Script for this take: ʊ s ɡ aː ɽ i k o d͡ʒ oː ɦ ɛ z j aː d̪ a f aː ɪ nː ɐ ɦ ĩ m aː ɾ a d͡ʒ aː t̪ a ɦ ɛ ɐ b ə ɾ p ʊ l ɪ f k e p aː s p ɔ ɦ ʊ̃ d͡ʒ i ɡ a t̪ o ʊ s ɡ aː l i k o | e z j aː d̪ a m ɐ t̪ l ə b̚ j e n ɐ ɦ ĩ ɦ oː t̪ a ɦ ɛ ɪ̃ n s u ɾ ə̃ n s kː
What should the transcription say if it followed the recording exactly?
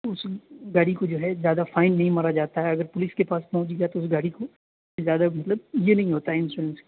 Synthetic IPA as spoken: ʊ s ɡ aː ɽ i k o d͡ʒ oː ɦ ɛ z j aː d̪ a f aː ɪ nː ɐ ɦ ĩ m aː ɾ a d͡ʒ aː t̪ a ɦ ɛ ɐ ɡ ə ɾ p ʊ l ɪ s k e p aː s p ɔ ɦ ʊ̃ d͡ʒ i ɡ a t̪ o ʊ s ɡ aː ɽ i k o | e z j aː d̪ a m ɐ t̪ l ə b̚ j e n ɐ ɦ ĩ ɦ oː t̪ a ɦ ɛ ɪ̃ n s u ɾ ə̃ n s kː

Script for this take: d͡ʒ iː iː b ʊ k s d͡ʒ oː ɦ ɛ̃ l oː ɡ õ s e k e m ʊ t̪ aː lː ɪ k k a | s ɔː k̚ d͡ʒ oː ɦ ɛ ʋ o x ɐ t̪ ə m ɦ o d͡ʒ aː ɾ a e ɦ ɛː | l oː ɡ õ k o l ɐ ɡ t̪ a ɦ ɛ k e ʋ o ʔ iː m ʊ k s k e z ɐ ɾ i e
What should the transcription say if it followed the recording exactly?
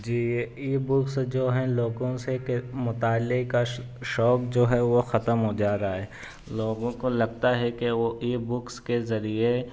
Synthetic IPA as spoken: d͡ʒ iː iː b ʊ k s d͡ʒ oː ɦ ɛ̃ l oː ɡ õ s e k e m ʊ t̪ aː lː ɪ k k a | ʃ ɔː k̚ d͡ʒ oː ɦ ɛ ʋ o x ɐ t̪ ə m ɦ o d͡ʒ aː ɾ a a ɦ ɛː | l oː ɡ õ k o l ɐ ɡ t̪ a ɦ ɛ k e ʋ o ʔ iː b ʊ k s k e z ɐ ɾ i e

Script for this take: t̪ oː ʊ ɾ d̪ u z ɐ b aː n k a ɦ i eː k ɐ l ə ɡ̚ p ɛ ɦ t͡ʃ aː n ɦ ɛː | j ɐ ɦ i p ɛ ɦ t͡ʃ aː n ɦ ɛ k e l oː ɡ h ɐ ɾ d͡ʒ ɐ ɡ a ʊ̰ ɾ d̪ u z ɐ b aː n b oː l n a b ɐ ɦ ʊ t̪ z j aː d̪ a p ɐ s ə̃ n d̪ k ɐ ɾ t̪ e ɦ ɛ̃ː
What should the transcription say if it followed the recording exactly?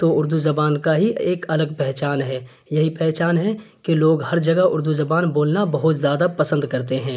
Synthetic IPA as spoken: t̪ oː ʊ ɾ d̪ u z ɐ b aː n k a ɦ i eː k ɐ l ə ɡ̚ p ɛ ɦ t͡ʃ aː n ɦ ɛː | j ɐ ɦ i p ɛ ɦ t͡ʃ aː n ɦ ɛ k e l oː ɡ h ɐ ɾ d͡ʒ ɐ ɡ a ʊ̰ ɾ d̪ u z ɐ b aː n b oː l n a b ɐ ɦ ʊ t̪ z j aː d̪ a p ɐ s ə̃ n d̪ k ɐ ɾ t̪ e ɦ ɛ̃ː

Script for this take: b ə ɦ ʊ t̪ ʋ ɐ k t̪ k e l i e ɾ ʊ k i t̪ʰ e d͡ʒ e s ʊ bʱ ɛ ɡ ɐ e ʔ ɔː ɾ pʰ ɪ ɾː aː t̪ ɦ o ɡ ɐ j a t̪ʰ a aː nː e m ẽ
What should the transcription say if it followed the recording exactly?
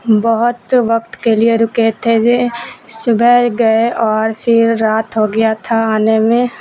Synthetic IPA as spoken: b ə ɦ ʊ t̪ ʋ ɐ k t̪ k e l i e ɾ ʊ k e t̪ʰ e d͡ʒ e s ʊ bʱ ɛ ɡ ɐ e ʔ ɔː ɾ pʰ ɪ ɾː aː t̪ ɦ o ɡ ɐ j a t̪ʰ a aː n e m ẽ

